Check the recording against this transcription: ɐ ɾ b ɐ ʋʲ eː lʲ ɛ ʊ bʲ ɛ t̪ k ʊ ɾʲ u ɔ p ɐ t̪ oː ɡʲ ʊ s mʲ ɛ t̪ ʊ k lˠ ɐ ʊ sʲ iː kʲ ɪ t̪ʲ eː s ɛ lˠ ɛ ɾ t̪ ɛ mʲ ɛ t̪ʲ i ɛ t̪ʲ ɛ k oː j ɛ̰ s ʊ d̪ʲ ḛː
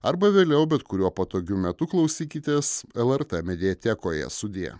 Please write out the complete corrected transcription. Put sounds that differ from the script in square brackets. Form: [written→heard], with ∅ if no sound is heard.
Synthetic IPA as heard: ɐ ɾ b ɐ ʋʲ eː lʲ ɛ ʊ bʲ ɛ t̪ k ʊ ɾʲ u ɔ p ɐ t̪ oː ɡʲ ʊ [s→∅] mʲ ɛ t̪ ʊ k lˠ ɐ ʊ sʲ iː kʲ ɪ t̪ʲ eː s ɛ lˠ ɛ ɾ t̪ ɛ mʲ ɛ [t̪ʲ→d̪ʲ] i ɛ t̪ʲ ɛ k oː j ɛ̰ s ʊ d̪ʲ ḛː